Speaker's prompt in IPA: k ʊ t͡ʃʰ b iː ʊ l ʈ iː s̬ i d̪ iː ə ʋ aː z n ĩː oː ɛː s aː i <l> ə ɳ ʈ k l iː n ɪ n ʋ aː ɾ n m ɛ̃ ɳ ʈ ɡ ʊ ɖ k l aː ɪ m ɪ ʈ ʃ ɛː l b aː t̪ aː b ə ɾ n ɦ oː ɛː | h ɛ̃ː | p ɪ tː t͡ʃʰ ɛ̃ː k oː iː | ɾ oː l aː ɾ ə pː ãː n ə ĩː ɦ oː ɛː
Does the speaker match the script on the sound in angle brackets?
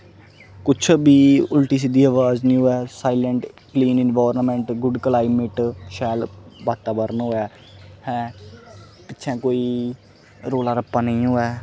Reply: yes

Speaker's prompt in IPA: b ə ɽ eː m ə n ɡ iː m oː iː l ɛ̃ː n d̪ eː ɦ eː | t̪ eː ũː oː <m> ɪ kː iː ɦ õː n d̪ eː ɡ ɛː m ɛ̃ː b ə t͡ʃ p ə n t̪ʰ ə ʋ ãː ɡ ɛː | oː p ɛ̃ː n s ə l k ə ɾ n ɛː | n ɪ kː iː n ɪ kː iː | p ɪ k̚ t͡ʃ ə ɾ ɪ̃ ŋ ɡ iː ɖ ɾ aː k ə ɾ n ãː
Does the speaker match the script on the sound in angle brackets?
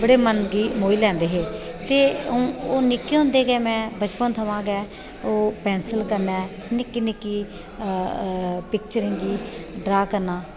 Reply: no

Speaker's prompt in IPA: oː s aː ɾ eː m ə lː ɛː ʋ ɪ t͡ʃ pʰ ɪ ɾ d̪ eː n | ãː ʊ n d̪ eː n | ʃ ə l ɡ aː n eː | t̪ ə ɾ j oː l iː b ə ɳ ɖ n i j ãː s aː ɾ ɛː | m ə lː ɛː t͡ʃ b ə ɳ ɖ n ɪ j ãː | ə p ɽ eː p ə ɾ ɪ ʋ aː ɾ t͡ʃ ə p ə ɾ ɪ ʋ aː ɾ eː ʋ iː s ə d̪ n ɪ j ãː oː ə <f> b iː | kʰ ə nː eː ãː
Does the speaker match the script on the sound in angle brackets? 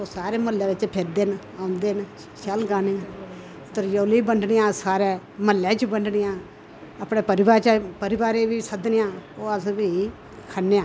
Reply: no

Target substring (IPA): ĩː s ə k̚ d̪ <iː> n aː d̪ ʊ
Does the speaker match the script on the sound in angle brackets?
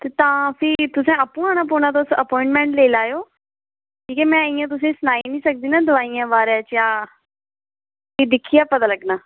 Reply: yes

